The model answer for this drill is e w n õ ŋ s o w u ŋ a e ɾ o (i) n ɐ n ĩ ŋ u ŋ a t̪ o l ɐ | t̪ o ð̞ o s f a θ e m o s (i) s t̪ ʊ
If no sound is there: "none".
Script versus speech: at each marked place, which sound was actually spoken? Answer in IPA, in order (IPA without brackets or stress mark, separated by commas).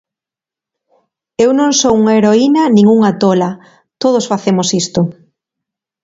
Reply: i, i